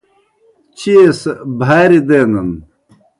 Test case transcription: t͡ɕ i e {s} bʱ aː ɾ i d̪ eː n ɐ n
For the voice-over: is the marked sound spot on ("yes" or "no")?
yes